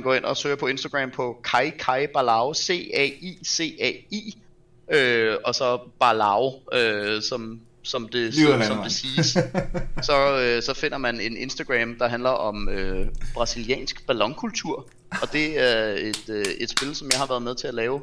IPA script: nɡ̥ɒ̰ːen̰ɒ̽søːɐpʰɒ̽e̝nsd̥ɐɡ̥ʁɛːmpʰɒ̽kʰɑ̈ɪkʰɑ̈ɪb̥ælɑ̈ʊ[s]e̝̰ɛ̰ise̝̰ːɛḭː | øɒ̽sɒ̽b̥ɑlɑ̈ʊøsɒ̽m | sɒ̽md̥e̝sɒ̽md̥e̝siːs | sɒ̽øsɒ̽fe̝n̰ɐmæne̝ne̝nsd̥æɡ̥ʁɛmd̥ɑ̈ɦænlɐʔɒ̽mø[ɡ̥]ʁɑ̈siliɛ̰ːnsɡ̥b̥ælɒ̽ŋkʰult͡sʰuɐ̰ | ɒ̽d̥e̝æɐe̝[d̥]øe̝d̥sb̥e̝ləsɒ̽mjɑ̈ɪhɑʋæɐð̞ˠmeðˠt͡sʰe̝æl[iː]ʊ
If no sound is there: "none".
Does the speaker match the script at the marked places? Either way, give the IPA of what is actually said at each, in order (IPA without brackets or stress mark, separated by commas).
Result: s, b̥, d̥, ɛː